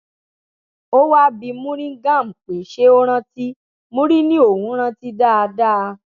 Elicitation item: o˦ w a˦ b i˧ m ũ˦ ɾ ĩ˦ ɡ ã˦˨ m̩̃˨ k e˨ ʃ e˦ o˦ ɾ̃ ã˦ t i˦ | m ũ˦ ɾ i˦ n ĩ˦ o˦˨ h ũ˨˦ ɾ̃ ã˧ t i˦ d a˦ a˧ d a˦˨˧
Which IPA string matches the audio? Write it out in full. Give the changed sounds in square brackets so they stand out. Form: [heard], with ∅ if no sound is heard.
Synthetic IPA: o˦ w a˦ b i˧ m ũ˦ ɾ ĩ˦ ɡ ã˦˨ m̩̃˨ [k͡p] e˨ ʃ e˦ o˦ ɾ̃ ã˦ t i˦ | m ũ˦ ɾ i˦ n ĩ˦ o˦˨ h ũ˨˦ ɾ̃ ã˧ t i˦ d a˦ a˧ d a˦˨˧